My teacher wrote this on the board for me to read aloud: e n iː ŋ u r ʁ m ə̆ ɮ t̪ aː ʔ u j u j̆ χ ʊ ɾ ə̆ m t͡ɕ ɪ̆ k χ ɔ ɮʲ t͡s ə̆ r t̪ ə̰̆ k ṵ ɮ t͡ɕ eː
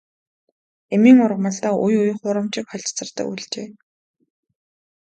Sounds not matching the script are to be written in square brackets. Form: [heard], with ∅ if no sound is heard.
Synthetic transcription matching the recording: e [m] iː ŋ [ʊ] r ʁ m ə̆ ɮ t̪ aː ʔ u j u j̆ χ ʊ ɾ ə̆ m t͡ɕ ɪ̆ k χ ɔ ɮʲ t͡s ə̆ r t̪ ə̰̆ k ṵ ɮ t͡ɕ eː